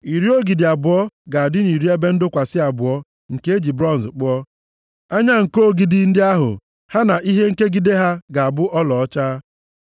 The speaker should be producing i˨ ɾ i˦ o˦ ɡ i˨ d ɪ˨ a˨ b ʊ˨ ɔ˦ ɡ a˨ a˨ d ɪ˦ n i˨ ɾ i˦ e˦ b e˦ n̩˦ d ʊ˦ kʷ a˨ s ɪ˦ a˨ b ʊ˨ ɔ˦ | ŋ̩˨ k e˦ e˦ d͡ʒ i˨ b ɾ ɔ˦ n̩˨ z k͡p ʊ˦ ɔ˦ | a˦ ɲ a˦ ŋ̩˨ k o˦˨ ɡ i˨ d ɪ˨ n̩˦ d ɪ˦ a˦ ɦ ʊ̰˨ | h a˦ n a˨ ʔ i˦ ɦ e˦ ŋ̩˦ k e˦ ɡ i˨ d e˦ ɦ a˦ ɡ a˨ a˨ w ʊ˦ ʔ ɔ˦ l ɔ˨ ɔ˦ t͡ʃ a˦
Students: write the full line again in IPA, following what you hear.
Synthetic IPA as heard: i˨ ɾ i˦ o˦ ɡ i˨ d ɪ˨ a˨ b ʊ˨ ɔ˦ ɡ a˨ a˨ d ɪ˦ n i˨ ɾ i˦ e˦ b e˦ n̩˦ d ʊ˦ kʷ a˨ s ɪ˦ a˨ b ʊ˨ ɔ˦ | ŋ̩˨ k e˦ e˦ d͡ʒ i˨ b ɾ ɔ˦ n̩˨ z k͡p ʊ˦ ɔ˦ | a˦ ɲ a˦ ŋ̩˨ k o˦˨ ɡ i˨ d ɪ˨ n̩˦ d ɪ˦ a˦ ɦ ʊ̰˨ | h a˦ n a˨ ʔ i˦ ɦ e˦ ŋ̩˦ k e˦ ɡ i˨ d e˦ ɦ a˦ ɡ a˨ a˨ b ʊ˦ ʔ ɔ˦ l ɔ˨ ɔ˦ t͡ʃ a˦